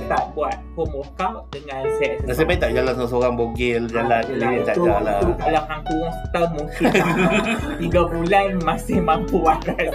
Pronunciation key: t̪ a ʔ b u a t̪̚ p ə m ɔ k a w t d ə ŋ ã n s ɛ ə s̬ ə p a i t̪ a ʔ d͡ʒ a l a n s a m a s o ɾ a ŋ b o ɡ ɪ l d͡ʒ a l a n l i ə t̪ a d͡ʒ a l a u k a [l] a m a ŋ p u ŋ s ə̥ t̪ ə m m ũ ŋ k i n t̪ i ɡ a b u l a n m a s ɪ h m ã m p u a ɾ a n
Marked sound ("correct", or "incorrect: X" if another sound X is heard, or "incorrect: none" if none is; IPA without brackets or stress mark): correct